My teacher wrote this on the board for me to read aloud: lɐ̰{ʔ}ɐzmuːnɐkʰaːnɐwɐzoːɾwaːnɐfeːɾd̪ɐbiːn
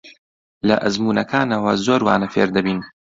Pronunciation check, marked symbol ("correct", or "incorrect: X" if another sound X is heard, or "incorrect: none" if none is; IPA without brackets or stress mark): correct